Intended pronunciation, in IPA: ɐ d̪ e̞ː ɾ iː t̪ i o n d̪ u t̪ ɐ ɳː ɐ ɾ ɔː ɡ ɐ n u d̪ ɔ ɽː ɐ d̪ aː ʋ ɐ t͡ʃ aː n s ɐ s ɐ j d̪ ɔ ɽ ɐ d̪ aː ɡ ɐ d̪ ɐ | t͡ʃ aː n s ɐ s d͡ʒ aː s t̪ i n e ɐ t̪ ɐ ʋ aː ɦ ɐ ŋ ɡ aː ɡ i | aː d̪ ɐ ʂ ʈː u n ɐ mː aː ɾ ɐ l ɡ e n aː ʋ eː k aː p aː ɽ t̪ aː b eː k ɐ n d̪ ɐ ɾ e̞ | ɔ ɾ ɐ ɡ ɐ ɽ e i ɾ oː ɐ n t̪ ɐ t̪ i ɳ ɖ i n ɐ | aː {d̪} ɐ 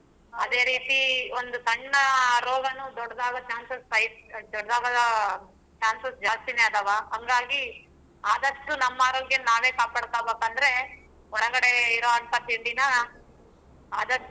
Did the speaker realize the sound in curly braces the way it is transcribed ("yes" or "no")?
yes